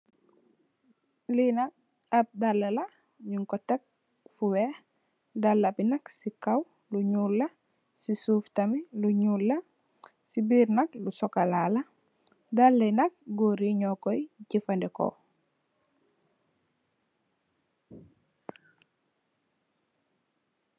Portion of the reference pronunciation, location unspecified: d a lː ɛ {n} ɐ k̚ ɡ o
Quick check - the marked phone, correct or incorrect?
correct